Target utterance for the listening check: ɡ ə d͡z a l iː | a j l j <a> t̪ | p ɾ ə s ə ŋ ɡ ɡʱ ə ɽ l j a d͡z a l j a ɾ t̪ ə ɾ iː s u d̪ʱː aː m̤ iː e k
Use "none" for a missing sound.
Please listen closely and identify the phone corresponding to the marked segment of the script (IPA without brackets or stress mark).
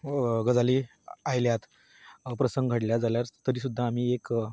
a